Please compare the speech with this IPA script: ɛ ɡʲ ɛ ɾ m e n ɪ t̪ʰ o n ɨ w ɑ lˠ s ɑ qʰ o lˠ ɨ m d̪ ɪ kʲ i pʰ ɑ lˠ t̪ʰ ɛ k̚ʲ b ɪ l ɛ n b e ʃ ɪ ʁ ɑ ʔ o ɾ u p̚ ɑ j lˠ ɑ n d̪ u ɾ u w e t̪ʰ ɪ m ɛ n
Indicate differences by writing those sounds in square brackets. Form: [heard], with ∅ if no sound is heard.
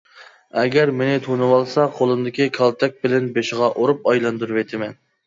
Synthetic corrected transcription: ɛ ɡʲ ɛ ɾ m e n ɪ t̪ʰ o n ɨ w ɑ lˠ s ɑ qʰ o lˠ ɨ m d̪ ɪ kʲ i [kʰ] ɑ lˠ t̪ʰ ɛ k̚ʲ b ɪ l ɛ n b e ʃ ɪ ʁ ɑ ʔ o ɾ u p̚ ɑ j lˠ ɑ n d̪ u ɾ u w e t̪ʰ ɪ m ɛ n

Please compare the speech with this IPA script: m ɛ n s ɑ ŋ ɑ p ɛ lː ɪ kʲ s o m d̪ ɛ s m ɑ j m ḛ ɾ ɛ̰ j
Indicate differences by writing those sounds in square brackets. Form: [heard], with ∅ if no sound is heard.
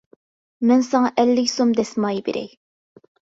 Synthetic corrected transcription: m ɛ n s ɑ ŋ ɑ [ʔ] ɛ lː ɪ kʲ s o m d̪ ɛ s m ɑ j [b] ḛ ɾ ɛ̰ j

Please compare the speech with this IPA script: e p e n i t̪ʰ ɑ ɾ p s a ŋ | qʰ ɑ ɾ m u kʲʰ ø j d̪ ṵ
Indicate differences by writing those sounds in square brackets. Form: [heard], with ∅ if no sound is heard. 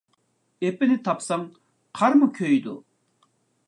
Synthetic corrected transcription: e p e n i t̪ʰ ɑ [∅] p s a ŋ | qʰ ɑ ɾ m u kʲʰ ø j d̪ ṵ

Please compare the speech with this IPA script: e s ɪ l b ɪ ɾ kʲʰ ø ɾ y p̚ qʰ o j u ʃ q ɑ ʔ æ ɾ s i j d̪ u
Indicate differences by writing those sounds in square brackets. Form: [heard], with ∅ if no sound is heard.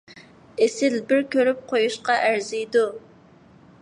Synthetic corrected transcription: e s ɪ l b ɪ ɾ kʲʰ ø ɾ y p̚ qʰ o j u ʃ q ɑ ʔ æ ɾ [z] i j d̪ u

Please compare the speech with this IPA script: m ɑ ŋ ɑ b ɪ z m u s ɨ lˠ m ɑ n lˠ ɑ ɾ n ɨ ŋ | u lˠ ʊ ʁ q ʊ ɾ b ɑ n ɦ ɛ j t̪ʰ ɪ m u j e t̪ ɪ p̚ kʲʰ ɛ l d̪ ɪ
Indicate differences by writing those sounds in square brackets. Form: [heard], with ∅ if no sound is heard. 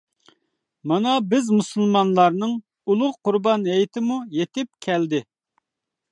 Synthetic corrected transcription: m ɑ [n] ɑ b ɪ z m u s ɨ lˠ m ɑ n lˠ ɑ ɾ n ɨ ŋ | u lˠ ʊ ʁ q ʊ ɾ b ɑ n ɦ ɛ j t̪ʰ ɪ m u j e t̪ ɪ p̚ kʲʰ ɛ l d̪ ɪ

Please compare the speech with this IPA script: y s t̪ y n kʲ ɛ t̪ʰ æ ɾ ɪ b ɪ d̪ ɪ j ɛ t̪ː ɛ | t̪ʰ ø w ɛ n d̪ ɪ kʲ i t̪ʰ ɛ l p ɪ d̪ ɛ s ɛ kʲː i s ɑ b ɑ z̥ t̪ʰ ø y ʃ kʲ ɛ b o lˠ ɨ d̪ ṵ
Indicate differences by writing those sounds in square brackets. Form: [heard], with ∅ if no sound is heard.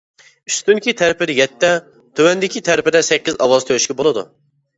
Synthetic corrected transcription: y s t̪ y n kʲ [i] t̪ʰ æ ɾ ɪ [p] ɪ d̪ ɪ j ɛ t̪ː ɛ | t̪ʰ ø w ɛ n d̪ ɪ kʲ i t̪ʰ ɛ [ɾ] p ɪ d̪ ɛ s ɛ kʲː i [z] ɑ [w] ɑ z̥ t̪ʰ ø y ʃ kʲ ɛ b o lˠ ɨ d̪ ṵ

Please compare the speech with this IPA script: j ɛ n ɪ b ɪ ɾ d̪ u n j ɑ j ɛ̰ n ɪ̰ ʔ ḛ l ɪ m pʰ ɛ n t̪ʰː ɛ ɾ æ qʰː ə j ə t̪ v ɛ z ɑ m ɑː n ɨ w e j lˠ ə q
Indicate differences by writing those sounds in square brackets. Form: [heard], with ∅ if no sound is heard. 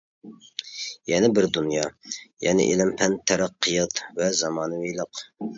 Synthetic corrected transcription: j ɛ n ɪ b ɪ ɾ d̪ u n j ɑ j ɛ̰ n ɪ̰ ʔ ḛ l ɪ m pʰ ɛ n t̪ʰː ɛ ɾ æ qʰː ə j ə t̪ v ɛ z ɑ m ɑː n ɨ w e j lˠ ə q

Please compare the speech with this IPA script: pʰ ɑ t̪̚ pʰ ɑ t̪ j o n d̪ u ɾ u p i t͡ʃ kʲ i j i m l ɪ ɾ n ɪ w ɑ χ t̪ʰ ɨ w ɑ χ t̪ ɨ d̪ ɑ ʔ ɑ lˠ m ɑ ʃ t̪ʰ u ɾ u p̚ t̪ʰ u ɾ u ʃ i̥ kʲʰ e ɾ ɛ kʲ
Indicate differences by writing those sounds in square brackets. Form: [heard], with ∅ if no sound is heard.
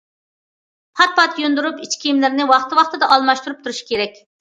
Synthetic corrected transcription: pʰ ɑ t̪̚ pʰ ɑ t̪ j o n d̪ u ɾ u p i t͡ʃ kʲ i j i m l ɪ ɾ n ɪ w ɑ χ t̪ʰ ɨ w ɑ χ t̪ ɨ d̪ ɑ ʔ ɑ lˠ m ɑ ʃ [t̪] u ɾ u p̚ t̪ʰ u ɾ u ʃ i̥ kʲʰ e ɾ ɛ kʲ

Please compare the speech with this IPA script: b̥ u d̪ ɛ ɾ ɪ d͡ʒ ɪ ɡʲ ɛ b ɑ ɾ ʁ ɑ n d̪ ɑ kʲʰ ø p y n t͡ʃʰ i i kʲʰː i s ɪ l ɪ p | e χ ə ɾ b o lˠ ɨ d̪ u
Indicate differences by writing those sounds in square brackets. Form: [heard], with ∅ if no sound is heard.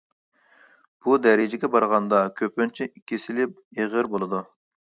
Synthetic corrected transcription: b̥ u d̪ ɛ ɾ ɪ d͡ʒ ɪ ɡʲ ɛ b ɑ ɾ ʁ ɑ n d̪ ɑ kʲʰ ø p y n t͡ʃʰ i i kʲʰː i s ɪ l ɪ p | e [ʁ] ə ɾ b o lˠ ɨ d̪ u

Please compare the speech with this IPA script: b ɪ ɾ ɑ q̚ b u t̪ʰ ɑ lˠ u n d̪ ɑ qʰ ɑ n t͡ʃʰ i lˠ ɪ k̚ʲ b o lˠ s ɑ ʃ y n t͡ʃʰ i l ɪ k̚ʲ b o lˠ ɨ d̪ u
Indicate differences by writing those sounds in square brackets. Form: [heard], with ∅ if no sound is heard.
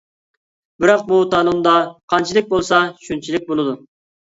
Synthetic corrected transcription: b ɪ ɾ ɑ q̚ b u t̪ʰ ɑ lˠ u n d̪ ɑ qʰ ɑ n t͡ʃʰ i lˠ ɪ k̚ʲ b o lˠ s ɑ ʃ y n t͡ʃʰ i l ɪ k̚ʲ b o lˠ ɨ d̪ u

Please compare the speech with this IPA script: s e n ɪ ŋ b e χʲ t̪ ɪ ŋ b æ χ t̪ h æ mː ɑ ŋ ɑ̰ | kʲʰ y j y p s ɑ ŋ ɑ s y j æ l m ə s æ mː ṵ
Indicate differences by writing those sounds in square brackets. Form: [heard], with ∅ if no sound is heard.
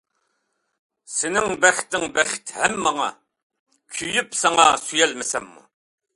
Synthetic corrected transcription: s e n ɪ ŋ b [æ] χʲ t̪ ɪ ŋ b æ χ t̪ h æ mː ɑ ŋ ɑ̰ | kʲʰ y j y p s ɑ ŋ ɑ s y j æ l m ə s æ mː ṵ

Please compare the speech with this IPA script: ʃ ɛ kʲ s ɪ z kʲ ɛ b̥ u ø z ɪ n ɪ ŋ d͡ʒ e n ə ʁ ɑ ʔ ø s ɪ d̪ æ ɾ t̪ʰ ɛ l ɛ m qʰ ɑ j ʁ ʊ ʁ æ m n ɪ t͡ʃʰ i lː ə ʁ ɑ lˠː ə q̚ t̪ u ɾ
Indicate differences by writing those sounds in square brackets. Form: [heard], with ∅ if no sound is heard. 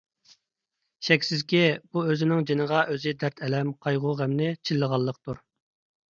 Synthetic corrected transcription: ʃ ɛ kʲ s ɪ z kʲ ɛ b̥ u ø z ɪ n ɪ ŋ d͡ʒ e n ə ʁ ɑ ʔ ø [z] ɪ d̪ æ ɾ t̪ʰ ɛ l ɛ m qʰ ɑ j ʁ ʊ ʁ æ m n ɪ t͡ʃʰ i lː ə ʁ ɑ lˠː ə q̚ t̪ u ɾ

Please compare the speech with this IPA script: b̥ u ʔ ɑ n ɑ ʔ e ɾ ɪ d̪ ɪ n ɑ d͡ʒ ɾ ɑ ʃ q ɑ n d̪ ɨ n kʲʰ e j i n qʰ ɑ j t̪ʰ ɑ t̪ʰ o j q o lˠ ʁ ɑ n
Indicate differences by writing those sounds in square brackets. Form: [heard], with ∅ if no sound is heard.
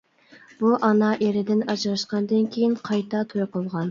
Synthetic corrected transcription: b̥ u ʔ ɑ n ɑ ʔ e ɾ ɪ d̪ ɪ n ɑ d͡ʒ ɾ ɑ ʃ q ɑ n d̪ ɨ n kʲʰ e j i n qʰ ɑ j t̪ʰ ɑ t̪ʰ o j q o lˠ ʁ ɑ n

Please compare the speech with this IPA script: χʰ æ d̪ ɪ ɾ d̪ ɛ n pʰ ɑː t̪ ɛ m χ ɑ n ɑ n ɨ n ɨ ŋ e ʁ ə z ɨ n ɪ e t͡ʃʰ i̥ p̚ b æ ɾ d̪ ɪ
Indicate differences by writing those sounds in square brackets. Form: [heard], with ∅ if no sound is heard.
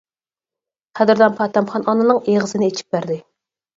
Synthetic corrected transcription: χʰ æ d̪ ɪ ɾ d̪ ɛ n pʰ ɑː t̪ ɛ m χ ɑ n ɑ n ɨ n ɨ ŋ e ʁ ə z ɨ n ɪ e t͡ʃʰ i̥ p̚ b æ ɾ d̪ ɪ

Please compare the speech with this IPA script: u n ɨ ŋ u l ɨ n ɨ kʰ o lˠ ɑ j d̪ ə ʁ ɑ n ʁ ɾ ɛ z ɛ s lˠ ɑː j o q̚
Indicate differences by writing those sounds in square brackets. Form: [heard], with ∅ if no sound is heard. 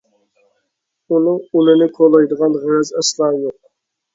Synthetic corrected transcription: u n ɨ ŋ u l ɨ n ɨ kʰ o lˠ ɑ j d̪ ə ʁ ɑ n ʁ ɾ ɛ z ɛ s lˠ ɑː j o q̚

